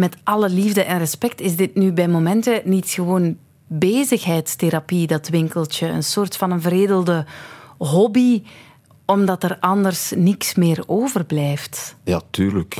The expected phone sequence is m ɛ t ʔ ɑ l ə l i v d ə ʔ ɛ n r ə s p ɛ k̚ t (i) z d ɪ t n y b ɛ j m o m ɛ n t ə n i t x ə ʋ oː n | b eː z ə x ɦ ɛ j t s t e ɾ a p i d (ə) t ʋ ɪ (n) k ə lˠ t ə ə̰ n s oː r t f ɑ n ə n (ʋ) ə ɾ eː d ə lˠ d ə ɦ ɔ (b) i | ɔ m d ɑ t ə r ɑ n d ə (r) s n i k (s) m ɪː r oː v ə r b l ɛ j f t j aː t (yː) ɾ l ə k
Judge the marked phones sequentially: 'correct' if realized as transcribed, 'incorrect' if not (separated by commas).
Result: incorrect, incorrect, incorrect, incorrect, correct, correct, correct, correct